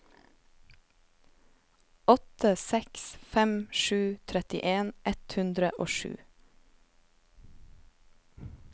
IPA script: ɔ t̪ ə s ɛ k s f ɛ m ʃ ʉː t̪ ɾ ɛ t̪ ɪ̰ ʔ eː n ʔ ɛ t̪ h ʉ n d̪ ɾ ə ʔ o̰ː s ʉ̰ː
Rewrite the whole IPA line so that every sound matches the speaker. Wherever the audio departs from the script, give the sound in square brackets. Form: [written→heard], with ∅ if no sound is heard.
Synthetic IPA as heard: ɔ t̪ ə s ɛ k s f ɛ m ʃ ʉː [t̪→t̪ʰ] ɾ ɛ t̪ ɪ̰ ʔ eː n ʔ ɛ t̪ h ʉ n d̪ ɾ ə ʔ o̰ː [s→ʃ] ʉ̰ː

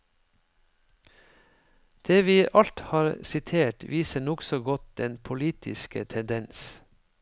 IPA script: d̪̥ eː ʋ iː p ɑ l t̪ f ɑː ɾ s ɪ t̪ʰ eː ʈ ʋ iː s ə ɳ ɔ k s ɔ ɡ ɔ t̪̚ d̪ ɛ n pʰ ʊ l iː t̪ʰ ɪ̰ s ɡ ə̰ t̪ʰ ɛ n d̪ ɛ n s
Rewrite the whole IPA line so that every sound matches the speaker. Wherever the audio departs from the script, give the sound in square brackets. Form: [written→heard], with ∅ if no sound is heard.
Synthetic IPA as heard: d̪̥ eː ʋ iː [p→ʔ] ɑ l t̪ [f→h] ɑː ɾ s ɪ t̪ʰ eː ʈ ʋ iː s ə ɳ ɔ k s ɔ ɡ ɔ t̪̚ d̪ ɛ n pʰ ʊ l iː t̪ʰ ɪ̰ s [ɡ→k] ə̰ t̪ʰ ɛ n d̪ ɛ n s

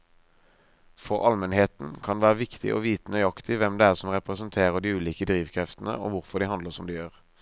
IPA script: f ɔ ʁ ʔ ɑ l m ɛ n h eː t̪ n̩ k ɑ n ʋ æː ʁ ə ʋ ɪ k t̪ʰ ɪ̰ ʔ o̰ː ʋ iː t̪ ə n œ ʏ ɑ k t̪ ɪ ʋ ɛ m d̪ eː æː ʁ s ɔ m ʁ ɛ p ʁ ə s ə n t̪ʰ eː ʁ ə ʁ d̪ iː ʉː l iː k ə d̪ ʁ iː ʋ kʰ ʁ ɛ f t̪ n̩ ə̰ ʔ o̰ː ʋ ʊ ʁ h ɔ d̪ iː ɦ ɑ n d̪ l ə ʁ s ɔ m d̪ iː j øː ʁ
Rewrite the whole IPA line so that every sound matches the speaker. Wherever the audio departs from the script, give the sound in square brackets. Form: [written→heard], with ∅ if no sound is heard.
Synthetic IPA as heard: f ɔ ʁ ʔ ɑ l m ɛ n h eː t̪ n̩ [k→kʰ] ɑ n ʋ æː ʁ ə ʋ ɪ k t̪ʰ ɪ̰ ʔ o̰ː ʋ iː t̪ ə n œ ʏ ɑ k t̪ ɪ ʋ ɛ m d̪ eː æː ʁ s ɔ m ʁ ɛ p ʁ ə s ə n t̪ʰ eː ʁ ə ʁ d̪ iː ʉː l iː k ə d̪ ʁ iː ʋ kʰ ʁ ɛ f t̪ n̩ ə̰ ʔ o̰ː ʋ ʊ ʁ [h→f] ɔ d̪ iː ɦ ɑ n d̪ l ə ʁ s ɔ m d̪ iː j øː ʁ

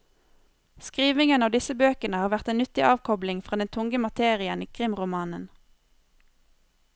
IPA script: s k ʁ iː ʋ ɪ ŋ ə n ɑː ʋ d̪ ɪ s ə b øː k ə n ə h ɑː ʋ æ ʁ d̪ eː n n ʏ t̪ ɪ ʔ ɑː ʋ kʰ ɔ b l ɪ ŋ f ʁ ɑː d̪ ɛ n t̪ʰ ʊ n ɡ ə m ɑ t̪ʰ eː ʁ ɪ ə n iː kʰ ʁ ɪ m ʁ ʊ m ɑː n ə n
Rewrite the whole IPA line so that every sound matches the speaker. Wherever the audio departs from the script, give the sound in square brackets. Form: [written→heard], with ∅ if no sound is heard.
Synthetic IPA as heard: s k ʁ iː ʋ ɪ ŋ ə n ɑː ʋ d̪ ɪ s ə b øː k ə n ə h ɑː ʋ æ ʁ [d̪→t̪] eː n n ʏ t̪ ɪ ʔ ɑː ʋ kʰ ɔ b l ɪ ŋ f ʁ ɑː d̪ ɛ n t̪ʰ ʊ [n→ŋ] ɡ ə m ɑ t̪ʰ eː ʁ ɪ ə n iː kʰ ʁ ɪ m ʁ ʊ m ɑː n ə n

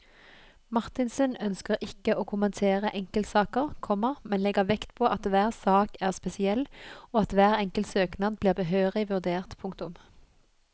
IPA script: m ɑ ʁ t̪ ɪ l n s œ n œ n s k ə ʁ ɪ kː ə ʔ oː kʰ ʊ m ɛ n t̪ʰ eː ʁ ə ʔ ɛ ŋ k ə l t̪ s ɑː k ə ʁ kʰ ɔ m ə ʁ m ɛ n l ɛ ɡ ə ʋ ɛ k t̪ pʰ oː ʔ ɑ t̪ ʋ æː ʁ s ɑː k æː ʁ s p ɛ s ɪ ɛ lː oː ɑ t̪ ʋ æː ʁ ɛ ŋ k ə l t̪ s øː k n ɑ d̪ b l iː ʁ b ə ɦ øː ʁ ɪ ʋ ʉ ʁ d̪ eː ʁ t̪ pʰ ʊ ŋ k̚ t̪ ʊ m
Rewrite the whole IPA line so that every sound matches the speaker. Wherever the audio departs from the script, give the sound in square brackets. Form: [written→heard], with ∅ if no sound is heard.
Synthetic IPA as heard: m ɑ ʁ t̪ ɪ [l→∅] n s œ n œ n s k ə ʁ ɪ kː ə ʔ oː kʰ ʊ m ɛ n t̪ʰ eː ʁ ə ʔ ɛ ŋ k ə l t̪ s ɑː k ə ʁ kʰ ɔ m ə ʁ m ɛ n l ɛ ɡ ə ʋ ɛ k t̪ pʰ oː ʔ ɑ t̪ ʋ æː ʁ s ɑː k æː ʁ s p ɛ s ɪ ɛ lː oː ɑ t̪ ʋ æː ʁ ɛ ŋ k ə l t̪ s øː k n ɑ d̪ b l iː ʁ b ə ɦ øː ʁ ɪ ʋ ʉ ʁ d̪ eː ʁ t̪ pʰ ʊ ŋ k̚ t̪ ʊ m

